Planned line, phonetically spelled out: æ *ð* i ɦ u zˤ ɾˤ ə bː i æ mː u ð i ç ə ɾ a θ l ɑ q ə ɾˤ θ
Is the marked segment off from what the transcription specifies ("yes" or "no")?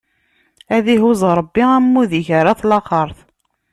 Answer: no